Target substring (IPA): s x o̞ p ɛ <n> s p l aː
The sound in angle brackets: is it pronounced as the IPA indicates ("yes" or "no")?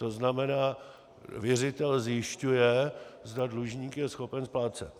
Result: yes